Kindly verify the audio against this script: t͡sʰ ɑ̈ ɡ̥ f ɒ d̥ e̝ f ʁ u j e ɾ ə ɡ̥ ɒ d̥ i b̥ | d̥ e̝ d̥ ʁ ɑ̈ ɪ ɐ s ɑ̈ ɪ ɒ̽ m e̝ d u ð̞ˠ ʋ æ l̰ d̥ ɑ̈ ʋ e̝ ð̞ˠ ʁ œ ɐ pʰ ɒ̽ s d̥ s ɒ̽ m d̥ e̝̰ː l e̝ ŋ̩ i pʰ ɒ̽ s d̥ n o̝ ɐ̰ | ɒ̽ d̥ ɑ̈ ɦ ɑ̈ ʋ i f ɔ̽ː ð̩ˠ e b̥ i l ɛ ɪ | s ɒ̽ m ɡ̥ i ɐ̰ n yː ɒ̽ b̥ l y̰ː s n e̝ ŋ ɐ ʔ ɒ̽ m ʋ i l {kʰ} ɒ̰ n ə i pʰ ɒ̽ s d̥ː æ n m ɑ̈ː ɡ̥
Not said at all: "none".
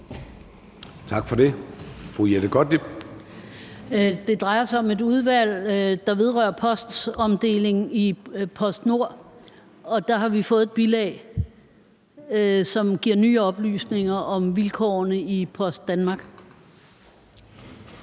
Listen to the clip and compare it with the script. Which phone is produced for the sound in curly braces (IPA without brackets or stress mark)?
kʰ